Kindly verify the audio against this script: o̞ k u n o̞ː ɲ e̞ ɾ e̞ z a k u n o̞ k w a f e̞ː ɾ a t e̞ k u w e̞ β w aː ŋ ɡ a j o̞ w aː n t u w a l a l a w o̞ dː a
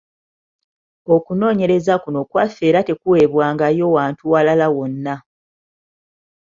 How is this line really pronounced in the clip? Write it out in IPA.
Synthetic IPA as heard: o̞ k u n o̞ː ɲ e̞ ɾ e̞ z a k u n o̞ k w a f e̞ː ɾ a t e̞ k u w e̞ β w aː ŋ ɡ a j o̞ w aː n t u w a l a l a w o̞ nː a